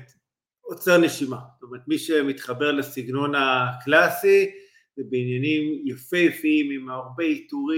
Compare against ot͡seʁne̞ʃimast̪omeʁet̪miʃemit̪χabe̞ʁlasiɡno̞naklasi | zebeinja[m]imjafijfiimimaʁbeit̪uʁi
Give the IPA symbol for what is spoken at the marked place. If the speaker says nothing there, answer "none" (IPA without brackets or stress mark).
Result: n